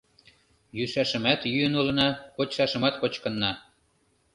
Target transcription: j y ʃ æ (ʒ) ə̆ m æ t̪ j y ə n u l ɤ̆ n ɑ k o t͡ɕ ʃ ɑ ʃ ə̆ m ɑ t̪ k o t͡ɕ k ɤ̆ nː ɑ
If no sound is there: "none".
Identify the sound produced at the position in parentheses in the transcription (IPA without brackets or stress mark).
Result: ʃ